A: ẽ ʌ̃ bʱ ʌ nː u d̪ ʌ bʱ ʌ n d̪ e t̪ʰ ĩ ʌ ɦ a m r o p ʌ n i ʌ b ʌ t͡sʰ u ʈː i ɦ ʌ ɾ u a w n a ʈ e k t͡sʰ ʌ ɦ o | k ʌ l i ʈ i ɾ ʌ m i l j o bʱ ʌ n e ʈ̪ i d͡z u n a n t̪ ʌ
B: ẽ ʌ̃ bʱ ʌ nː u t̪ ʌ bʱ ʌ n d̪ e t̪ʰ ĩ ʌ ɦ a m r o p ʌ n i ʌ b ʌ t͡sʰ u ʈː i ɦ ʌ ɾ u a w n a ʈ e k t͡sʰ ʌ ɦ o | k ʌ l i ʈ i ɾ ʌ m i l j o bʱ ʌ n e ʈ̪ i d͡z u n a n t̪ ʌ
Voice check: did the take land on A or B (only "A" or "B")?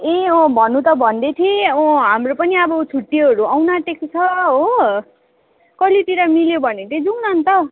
B